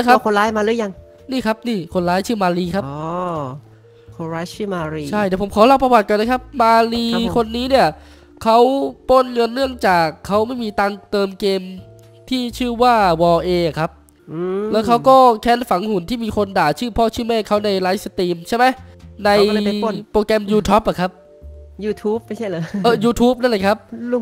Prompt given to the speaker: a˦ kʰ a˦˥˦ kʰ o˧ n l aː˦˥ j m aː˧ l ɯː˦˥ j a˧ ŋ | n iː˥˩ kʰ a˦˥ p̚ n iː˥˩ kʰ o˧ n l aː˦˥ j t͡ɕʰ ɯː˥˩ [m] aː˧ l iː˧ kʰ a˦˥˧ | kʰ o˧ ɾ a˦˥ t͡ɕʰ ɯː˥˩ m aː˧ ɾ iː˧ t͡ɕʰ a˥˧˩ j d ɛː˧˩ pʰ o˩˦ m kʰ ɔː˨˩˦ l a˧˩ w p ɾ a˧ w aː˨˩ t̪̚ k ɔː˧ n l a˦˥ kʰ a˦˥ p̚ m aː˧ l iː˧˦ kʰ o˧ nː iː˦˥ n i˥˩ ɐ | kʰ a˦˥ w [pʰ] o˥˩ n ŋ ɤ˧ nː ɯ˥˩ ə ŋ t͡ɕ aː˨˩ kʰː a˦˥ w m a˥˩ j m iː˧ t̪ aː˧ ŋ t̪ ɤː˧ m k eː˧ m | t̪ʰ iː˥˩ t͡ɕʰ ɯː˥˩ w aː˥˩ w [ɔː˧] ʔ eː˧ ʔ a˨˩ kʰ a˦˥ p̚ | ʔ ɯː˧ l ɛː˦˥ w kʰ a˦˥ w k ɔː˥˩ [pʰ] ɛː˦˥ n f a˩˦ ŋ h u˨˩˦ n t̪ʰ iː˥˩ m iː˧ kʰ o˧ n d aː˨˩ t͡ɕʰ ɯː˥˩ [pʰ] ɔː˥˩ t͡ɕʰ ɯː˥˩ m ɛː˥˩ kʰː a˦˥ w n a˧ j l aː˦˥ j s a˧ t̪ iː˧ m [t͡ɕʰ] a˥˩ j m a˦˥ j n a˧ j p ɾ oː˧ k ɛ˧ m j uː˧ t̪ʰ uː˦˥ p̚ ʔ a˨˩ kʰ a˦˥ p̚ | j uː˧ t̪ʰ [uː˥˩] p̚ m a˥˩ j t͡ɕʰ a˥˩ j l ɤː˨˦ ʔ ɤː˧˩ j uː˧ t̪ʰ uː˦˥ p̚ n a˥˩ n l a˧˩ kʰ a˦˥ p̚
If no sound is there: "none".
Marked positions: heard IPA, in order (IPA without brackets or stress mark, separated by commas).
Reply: m, p, ɔː˧, kʰ, pʰ, t͡ɕʰ, uː˦˥